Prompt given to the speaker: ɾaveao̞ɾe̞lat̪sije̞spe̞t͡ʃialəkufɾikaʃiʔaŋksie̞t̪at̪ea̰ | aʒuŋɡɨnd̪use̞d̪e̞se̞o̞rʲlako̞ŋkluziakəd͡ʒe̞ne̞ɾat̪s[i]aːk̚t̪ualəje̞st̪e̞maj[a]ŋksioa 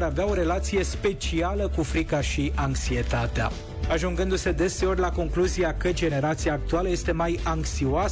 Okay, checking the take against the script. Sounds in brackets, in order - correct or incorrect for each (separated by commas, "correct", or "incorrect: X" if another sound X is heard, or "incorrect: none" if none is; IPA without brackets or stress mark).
correct, correct